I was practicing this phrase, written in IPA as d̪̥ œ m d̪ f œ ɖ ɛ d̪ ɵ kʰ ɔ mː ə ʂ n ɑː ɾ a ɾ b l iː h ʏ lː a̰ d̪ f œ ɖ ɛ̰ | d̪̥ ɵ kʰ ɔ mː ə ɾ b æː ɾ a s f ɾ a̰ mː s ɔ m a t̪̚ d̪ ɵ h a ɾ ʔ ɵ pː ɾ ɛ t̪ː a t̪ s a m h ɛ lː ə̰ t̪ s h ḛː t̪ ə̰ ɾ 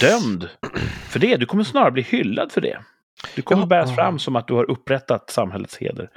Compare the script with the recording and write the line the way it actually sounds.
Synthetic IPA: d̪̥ œ m d̪ f œ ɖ ɛ d̪ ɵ kʰ ɔ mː ə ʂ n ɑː ɾ a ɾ b l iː h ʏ lː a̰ d̪ f œ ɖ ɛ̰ | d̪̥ ɵ kʰ ɔ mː ə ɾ b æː ɾ a s f ɾ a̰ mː s ɔ m a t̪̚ d̪ ɵ h a ɾ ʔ ɵ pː ɾ ɛ t̪ː a t̪ s a m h ɛ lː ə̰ t̪ s h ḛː d̪ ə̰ ɾ